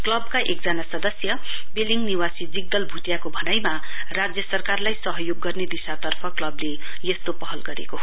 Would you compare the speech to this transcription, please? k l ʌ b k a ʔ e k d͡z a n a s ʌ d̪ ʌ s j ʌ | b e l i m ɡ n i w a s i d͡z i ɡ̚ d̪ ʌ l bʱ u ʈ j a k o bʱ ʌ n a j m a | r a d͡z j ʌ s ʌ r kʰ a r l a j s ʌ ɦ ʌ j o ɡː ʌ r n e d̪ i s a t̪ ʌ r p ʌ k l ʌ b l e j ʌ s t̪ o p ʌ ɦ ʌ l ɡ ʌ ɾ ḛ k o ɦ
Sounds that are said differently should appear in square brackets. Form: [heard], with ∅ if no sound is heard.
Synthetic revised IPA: k l ʌ b k a ʔ e k d͡z a n a s ʌ d̪ ʌ s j ʌ | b e l i [ŋ] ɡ n i w a s i d͡z i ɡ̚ d̪ ʌ l bʱ u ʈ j a k o bʱ ʌ n a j m a | r a d͡z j ʌ s ʌ r [k] a r l a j s ʌ ɦ ʌ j o ɡː ʌ r n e d̪ i s a t̪ ʌ r [pʰ] ʌ k l ʌ b l e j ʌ s t̪ o p ʌ ɦ ʌ l ɡ ʌ ɾ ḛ k o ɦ

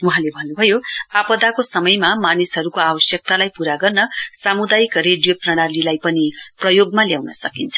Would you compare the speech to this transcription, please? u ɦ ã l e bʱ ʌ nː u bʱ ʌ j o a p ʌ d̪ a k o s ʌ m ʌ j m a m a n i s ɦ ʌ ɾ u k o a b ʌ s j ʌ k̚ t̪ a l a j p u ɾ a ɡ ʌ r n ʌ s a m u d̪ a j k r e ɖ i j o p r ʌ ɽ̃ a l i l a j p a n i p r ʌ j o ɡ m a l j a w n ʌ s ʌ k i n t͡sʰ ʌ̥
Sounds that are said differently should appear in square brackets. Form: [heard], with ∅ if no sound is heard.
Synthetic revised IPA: u ɦ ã l e bʱ ʌ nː u bʱ ʌ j o a p ʌ d̪ a k o s ʌ m ʌ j m a m a n i s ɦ ʌ ɾ u k o a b ʌ s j ʌ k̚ t̪ a l a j p u ɾ a ɡ ʌ r n ʌ s a m u d̪ a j k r e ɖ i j o p r ʌ ɽ̃ a l i l a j p [ʌ] n i p r ʌ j o ɡ m a l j a w n ʌ s ʌ k i n t͡sʰ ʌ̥

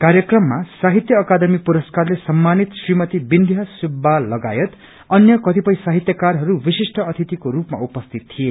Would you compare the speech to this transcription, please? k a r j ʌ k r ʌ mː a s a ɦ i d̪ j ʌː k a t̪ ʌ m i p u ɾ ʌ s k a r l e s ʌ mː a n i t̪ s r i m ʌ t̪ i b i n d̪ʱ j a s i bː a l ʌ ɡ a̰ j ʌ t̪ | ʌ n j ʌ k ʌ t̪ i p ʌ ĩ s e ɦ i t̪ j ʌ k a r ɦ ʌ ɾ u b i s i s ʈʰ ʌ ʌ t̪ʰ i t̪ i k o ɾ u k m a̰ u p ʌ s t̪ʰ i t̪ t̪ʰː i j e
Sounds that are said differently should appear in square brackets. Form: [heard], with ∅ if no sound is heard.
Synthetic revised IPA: k a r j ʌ k r ʌ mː a s a ɦ i [t̪] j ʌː k a [d̪] ʌ m i p u ɾ ʌ s k a r l e s ʌ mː a n i t̪ s r i m ʌ t̪ i b i n d̪ʱ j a s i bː a l ʌ ɡ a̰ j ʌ t̪ | ʌ n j ʌ k ʌ t̪ i p ʌ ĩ s [a] ɦ i t̪ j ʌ k a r ɦ ʌ ɾ u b i s i s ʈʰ ʌ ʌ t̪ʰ i t̪ i k o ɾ u [p] m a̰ u p ʌ s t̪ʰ i t̪ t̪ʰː i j e

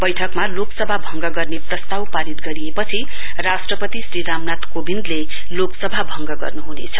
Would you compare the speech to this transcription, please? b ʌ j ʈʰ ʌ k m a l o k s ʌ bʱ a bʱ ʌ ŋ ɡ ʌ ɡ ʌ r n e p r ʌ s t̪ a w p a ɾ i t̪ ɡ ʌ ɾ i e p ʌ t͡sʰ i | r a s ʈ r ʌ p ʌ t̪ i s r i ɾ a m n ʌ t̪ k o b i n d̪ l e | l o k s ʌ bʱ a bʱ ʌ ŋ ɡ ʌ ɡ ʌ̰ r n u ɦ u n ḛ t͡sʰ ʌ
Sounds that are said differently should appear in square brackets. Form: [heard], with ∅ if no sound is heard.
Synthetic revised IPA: b ʌ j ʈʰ ʌ k m a l o k s ʌ bʱ a bʱ ʌ ŋ ɡ ʌ ɡ ʌ r n e p r ʌ s t̪ a w p a ɾ i t̪ ɡ ʌ ɾ i e p ʌ t͡sʰ i | r a s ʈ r ʌ p ʌ t̪ i s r i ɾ a m n [a] t̪ k o b i n d̪ l e | l o k s ʌ bʱ a bʱ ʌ ŋ ɡ ʌ ɡ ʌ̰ r n u ɦ u n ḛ t͡sʰ ʌ

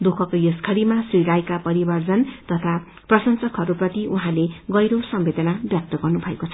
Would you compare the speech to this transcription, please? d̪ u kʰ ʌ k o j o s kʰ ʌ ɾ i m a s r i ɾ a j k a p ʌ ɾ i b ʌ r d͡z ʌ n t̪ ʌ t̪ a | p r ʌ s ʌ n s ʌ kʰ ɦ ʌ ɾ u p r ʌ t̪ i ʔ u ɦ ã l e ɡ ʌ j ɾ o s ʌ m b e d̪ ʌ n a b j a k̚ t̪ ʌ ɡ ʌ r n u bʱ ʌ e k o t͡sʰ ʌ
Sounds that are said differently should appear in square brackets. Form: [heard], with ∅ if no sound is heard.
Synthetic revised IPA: d̪ u kʰ ʌ k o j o s kʰ ʌ ɾ i m a s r i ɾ a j k a p ʌ ɾ i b ʌ r d͡z ʌ n t̪ ʌ [t̪ʰ] a | p r ʌ s ʌ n s ʌ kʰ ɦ ʌ ɾ u p r ʌ t̪ i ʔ u ɦ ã l e ɡ ʌ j ɾ o s ʌ m b e d̪ ʌ n a b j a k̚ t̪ ʌ ɡ ʌ r n u bʱ ʌ e k o t͡sʰ ʌ

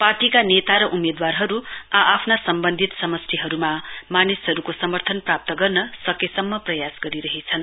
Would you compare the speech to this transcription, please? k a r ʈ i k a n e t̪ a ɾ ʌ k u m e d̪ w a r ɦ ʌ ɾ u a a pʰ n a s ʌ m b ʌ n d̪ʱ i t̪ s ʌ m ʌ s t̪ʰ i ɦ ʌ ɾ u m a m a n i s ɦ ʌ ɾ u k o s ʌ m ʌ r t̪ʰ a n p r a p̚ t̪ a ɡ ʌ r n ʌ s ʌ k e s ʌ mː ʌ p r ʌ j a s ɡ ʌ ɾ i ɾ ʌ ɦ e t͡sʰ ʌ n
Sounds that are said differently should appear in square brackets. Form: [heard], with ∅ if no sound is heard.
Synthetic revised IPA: [p] a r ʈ i k a n e t̪ a ɾ ʌ [ʔ] u m e d̪ w a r ɦ ʌ ɾ u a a pʰ n a s ʌ m b ʌ n d̪ʱ i t̪ s ʌ m ʌ s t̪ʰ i ɦ ʌ ɾ u m a m a n i s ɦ ʌ ɾ u k o s ʌ m ʌ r t̪ʰ [ʌ] n p r a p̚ t̪ [ʌ] ɡ ʌ r n ʌ s ʌ k e s ʌ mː ʌ p r ʌ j a s ɡ ʌ ɾ i ɾ ʌ ɦ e t͡sʰ ʌ n

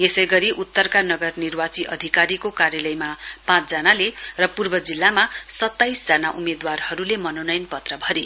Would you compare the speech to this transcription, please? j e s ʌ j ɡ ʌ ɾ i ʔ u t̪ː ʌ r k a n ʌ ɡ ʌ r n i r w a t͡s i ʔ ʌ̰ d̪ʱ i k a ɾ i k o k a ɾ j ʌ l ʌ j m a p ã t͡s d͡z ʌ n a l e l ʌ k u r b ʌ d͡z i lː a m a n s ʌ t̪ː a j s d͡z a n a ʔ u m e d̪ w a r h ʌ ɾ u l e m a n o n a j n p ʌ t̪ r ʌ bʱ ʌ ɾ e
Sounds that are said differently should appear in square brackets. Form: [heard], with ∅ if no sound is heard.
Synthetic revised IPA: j e s ʌ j ɡ ʌ ɾ i ʔ u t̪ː ʌ r k a n ʌ ɡ ʌ r n i r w a t͡s i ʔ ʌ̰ d̪ʱ i k a ɾ i k o k a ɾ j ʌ l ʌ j m a p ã t͡s d͡z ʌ n a l e [r] ʌ [p] u r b ʌ d͡z i lː a m a [∅] s ʌ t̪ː a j s d͡z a n a ʔ u m e d̪ w a r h ʌ ɾ u l e m [ʌ] n o n [ʌ] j n p ʌ t̪ r ʌ bʱ ʌ ɾ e

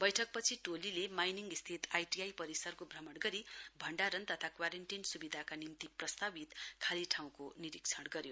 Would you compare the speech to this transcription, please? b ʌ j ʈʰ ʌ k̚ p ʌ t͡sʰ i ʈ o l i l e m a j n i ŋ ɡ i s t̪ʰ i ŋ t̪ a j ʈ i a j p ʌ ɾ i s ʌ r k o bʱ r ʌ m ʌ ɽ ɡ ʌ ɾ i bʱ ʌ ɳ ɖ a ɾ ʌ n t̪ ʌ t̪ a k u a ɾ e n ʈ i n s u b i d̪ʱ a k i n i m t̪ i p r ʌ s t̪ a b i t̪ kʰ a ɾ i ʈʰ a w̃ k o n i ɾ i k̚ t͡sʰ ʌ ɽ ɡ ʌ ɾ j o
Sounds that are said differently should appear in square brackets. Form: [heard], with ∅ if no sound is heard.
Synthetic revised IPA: b ʌ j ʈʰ ʌ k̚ p ʌ t͡sʰ i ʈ o l i l e m a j n i ŋ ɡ i s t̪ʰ i [∅] t̪ a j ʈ i a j p ʌ ɾ i s ʌ r k o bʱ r ʌ m ʌ ɽ ɡ ʌ ɾ i bʱ ʌ ɳ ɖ a ɾ ʌ n t̪ ʌ [t̪ʰ] a k [w] a ɾ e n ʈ i n s u b i d̪ʱ a k [a] n i m t̪ i p r ʌ s t̪ a b i t̪ kʰ a [l] i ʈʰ a w̃ k o n i ɾ i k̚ t͡sʰ ʌ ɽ ɡ ʌ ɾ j o

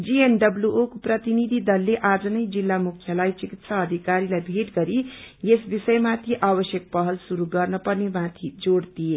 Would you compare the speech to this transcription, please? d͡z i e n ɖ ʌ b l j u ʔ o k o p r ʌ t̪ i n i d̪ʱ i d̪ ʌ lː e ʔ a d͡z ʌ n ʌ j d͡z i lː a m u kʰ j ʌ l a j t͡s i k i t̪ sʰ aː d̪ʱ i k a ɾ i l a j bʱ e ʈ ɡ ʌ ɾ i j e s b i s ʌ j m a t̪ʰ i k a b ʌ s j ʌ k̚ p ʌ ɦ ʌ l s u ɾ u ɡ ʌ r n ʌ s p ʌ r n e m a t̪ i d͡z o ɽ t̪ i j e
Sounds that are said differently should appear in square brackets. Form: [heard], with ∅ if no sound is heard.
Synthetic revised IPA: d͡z i e n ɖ ʌ b l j u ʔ o k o p r ʌ t̪ i n i d̪ʱ i d̪ ʌ lː e ʔ a d͡z ʌ n ʌ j d͡z i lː a m u kʰ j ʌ l a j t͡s i k i t̪ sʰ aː d̪ʱ i k a ɾ i l a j bʱ e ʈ ɡ ʌ ɾ i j e s b i s ʌ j m a t̪ʰ i [ʔ] a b ʌ s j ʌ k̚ p ʌ ɦ ʌ l s u ɾ u ɡ ʌ r n ʌ [∅] p ʌ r n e m a [t̪ʰ] i d͡z o ɽ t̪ i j e

